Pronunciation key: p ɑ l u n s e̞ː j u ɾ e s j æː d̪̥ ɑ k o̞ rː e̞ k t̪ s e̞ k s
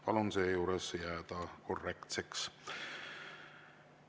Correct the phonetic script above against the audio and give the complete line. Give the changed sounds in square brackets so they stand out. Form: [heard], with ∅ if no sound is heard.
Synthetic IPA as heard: p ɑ l u n s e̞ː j [uː] ɾ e s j æː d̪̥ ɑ k o̞ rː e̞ k t̪ s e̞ k s